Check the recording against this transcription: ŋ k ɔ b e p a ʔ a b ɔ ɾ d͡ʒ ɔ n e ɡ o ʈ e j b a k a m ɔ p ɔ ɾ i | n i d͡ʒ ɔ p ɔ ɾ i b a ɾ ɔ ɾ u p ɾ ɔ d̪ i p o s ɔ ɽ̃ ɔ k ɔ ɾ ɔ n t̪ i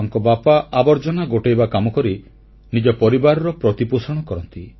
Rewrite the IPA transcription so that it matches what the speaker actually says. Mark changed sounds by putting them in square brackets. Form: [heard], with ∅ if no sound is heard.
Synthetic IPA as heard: ŋ k ɔ b [a] p a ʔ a b ɔ ɾ d͡ʒ ɔ n [a] ɡ o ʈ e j b a k a m ɔ [k] ɔ ɾ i | n i d͡ʒ ɔ p ɔ ɾ i b a ɾ ɔ ɾ [ɔ] p ɾ ɔ [t̪] i p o s ɔ ɽ̃ ɔ k ɔ ɾ ɔ n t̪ i